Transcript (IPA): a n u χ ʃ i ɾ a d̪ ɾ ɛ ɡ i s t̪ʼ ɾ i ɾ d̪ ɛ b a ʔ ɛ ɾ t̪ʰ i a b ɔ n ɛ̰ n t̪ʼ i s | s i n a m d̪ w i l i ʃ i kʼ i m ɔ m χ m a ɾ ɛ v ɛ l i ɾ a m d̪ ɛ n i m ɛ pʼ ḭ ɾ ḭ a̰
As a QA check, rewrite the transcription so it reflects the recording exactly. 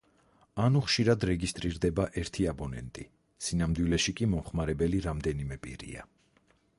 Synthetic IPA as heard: a n u χ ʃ i ɾ a d̪ ɾ ɛ ɡ i s t̪ʼ ɾ i ɾ d̪ ɛ b a ʔ ɛ ɾ t̪ʰ i a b ɔ n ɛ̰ n t̪ʼ i | s i n a m d̪ w i l ɛ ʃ i kʼ i m ɔ m χ m a ɾ ɛ b ɛ l i ɾ a m d̪ ɛ n i m ɛ pʼ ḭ ɾ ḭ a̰